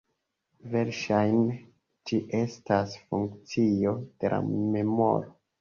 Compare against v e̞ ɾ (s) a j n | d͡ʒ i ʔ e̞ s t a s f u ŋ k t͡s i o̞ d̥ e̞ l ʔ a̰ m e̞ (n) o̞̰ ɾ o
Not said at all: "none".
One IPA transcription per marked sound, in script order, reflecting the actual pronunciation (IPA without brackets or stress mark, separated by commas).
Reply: ʃ, m